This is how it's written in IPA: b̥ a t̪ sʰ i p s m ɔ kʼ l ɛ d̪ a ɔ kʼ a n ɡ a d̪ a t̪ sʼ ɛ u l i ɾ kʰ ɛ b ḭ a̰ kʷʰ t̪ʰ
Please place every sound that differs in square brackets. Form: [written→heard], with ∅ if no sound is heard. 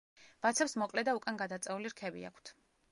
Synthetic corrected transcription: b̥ a t̪ sʰ [i→ɛ] p s m ɔ kʼ l ɛ d̪ a [ɔ→u] kʼ a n ɡ a d̪ a t̪ sʼ ɛ u l i ɾ kʰ ɛ b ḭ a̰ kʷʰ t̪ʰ